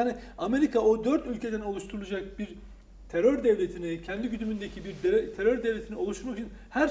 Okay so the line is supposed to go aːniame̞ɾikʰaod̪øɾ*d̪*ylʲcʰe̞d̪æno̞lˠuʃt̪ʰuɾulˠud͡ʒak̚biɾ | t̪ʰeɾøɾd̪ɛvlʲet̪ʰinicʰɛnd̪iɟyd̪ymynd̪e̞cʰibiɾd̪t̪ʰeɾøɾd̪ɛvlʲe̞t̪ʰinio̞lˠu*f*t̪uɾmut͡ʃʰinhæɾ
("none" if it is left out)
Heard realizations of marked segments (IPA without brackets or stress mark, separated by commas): t̪, ʃ